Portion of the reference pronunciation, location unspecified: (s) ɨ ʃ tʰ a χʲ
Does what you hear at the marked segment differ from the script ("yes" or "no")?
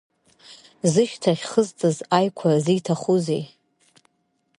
yes